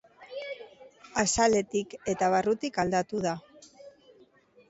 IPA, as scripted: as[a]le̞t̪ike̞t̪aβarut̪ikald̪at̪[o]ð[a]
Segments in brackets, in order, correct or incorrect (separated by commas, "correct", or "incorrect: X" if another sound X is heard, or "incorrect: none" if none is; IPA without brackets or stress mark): correct, incorrect: u, correct